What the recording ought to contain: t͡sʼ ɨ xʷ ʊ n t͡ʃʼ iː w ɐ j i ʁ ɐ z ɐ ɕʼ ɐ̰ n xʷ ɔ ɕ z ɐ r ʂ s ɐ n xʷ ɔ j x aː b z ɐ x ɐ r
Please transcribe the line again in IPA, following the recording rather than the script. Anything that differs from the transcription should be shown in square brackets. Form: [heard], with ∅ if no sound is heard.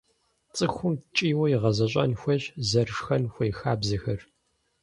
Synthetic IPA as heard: t͡sʼ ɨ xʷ ʊ [m] t͡ʃʼ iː w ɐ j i ʁ ɐ z ɐ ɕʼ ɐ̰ n xʷ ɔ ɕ z ɐ r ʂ [x] ɐ n xʷ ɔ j x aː b z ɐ x ɐ r